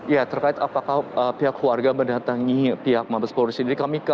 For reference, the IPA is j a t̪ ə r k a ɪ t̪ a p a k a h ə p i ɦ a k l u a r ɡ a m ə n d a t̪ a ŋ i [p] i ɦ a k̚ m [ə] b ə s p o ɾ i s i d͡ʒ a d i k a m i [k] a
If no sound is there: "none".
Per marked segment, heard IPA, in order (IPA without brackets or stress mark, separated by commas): p, a, k